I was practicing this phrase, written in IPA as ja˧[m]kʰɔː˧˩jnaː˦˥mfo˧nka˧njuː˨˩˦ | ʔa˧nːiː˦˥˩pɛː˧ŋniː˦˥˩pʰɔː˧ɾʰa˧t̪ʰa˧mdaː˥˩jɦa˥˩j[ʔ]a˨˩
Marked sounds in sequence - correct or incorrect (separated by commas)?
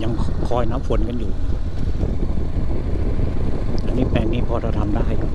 incorrect, incorrect